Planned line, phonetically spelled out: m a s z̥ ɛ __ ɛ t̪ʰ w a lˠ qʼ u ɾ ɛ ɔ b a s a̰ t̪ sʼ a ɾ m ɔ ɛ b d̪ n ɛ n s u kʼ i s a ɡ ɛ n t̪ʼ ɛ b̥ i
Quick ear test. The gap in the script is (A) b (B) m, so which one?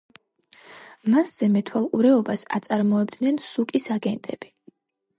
B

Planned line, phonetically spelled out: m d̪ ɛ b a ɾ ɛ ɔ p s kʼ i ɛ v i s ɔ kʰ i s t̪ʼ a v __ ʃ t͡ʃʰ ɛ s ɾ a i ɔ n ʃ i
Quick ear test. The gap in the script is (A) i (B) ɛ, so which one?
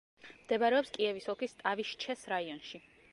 A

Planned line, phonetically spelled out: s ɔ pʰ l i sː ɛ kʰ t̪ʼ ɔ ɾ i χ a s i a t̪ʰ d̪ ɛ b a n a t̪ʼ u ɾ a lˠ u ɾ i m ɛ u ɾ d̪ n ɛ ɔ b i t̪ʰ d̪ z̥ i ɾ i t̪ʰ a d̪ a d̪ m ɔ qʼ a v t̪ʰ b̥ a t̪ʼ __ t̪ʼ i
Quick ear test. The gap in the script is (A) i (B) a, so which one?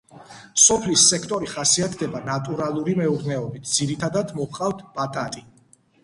B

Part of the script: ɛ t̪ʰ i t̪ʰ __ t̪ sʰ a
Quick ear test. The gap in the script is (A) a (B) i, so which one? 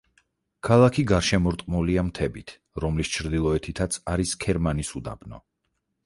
A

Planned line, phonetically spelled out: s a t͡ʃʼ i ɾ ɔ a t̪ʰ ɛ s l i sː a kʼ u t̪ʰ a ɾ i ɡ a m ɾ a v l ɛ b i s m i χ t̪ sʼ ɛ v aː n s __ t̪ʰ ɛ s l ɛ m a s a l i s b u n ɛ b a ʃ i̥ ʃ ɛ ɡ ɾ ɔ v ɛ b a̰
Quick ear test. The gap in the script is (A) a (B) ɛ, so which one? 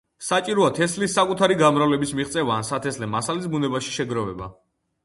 A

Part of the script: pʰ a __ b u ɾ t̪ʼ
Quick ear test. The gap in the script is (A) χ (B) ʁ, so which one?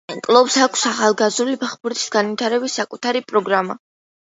A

